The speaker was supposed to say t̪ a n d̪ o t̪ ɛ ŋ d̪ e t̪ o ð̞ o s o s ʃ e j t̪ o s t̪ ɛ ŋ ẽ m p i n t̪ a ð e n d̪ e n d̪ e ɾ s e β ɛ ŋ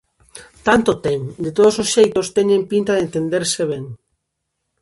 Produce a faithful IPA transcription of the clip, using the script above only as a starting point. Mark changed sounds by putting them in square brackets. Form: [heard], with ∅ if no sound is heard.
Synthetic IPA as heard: t̪ a n [t̪] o t̪ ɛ ŋ d̪ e t̪ o ð̞ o s o s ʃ e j t̪ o s t̪ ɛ [ɲ] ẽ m p i n t̪ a ð e n [t̪] e n d̪ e ɾ s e β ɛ ŋ

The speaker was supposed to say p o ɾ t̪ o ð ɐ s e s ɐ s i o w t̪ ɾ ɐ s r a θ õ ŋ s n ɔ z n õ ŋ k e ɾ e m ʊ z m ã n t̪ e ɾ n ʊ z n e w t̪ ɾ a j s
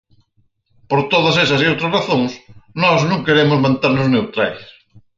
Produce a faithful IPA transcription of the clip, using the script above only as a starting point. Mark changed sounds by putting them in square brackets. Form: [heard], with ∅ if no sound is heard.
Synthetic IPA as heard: p o ɾ t̪ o ð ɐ s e s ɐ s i o w t̪ ɾ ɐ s r a θ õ ŋ s n ɔ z n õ ŋ k e ɾ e m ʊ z m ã n t̪ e ɾ n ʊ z n e w t̪ ɾ a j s

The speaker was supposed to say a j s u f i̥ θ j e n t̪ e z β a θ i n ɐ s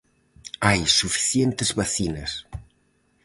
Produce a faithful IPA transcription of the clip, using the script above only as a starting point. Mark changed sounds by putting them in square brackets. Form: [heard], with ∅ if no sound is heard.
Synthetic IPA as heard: a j s u f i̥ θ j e n t̪ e z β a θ i n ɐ s

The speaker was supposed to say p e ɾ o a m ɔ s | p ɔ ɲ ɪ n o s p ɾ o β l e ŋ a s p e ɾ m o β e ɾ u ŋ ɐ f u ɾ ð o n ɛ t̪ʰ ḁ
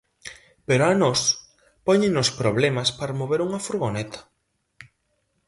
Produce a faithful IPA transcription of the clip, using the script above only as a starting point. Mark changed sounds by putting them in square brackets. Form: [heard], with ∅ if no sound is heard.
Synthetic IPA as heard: p e ɾ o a [n] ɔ s | p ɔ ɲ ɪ n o s p ɾ o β l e [m] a s p [a] ɾ m o β e ɾ u ŋ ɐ f u ɾ [ɣ] o n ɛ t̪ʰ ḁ

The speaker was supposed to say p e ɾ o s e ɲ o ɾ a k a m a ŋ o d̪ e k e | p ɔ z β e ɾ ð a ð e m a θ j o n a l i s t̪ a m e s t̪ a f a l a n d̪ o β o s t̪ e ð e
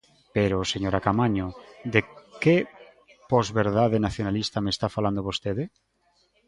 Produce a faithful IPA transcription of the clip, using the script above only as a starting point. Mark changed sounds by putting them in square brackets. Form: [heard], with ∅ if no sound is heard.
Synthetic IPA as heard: p e ɾ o s e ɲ o ɾ a k a m a [ɲ] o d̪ e k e | p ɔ z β e ɾ ð a ð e [n] a θ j o n a l i s t̪ a m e s t̪ a f a l a n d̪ o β o s t̪ e ð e

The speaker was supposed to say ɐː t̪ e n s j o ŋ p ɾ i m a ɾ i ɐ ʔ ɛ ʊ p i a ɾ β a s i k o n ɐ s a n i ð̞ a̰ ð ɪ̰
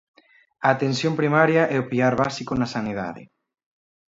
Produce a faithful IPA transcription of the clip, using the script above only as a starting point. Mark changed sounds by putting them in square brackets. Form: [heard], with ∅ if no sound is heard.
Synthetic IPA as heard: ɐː t̪ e n s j o [m] p ɾ i m a ɾ [j] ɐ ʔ ɛ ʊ p i a ɾ β a s i k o n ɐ s a n i ð̞ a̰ ð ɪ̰

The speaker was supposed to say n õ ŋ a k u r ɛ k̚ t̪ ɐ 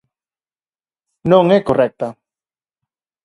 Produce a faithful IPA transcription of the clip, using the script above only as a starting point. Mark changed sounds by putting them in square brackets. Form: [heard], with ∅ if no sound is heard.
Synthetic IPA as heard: n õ ŋ [ɛ] k [o] r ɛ k̚ t̪ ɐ

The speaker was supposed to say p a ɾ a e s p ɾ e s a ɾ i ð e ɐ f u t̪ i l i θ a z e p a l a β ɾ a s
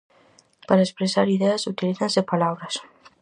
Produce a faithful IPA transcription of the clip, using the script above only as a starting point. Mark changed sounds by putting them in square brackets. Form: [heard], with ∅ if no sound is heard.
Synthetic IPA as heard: p a ɾ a e s p ɾ e s a ɾ i ð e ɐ [s] u t̪ i l i θ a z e p a l a β ɾ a s

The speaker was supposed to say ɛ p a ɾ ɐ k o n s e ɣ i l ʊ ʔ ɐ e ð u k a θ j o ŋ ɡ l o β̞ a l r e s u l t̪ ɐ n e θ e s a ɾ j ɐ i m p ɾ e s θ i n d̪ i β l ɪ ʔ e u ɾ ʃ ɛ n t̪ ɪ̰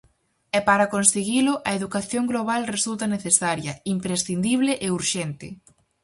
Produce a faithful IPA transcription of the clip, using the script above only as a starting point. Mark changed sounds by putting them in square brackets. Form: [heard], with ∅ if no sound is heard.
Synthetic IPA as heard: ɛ p a ɾ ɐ k o n s e ɣ i l ʊ ʔ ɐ e ð u k a θ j o ŋ ɡ l o β̞ a l r e s u l t̪ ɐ n e θ e s a ɾ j ɐ i m p ɾ e s θ i n d̪ i β l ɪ ʔ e u ɾ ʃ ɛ n t̪ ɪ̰

